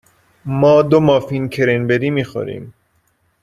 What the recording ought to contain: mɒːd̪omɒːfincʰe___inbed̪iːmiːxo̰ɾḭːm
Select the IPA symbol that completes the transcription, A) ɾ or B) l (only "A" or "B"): A